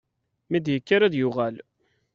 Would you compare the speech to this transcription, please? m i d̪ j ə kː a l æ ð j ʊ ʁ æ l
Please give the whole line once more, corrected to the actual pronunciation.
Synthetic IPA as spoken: m i d̪ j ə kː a ɾ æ ð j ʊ ʁ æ l

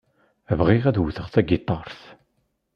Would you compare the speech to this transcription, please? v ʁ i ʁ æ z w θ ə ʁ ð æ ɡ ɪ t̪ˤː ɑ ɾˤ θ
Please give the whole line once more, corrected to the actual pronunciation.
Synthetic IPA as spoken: v ʁ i ʁ æ ð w θ ə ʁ θ æ ɡ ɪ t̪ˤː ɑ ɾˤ θ

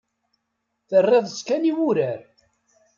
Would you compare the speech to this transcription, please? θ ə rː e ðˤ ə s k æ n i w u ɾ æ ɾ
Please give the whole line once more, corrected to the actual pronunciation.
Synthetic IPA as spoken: θ ə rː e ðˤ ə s k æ n i w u ɾ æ ɾ

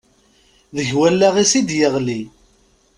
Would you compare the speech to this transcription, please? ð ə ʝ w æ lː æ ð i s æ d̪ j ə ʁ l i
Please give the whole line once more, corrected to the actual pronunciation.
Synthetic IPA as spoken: ð ə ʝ w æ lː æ ʁ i s i d̪ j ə ʁ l i

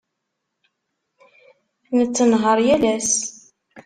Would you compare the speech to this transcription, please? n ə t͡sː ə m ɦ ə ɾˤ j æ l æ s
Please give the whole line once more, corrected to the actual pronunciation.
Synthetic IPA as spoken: n ə t͡sː ə n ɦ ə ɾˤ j æ l æ s

